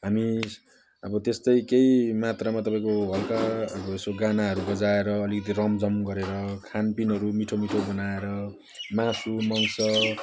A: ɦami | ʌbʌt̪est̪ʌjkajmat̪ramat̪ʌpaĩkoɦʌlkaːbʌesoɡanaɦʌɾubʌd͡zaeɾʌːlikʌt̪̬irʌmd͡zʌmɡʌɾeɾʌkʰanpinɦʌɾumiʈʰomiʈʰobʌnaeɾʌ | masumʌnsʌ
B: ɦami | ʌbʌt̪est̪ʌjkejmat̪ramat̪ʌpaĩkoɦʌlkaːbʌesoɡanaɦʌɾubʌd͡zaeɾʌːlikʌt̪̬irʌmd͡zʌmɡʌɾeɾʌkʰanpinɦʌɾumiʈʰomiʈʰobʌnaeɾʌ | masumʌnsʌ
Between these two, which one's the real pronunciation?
B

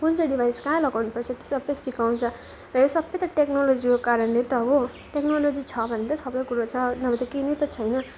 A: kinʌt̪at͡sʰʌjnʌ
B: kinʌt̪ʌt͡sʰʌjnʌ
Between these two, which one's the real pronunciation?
B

